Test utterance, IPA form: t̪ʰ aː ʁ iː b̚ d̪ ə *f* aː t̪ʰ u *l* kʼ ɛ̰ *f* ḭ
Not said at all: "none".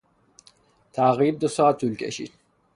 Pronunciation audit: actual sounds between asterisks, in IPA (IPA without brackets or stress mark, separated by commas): s, l, ʃ